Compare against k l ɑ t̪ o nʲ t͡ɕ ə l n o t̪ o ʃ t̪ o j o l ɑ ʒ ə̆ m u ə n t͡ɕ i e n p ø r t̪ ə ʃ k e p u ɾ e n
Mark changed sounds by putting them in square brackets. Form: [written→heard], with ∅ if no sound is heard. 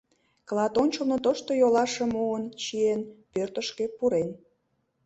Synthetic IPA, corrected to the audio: k l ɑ t̪ o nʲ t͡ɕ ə l n o t̪ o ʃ t̪ o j o l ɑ [ʒ→ʃ] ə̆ m u ə n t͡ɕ i e n p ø r t̪ ə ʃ k e p u ɾ e n